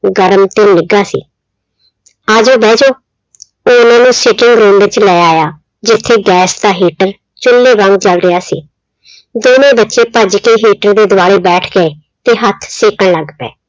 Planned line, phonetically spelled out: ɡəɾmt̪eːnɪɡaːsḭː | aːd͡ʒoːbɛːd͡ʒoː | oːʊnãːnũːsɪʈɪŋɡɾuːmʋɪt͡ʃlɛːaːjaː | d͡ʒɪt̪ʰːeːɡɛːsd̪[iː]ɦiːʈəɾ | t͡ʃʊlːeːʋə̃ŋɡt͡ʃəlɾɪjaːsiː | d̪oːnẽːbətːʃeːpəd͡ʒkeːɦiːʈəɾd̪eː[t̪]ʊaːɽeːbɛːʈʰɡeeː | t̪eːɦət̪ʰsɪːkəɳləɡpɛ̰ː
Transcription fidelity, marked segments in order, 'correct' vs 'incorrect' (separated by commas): incorrect, incorrect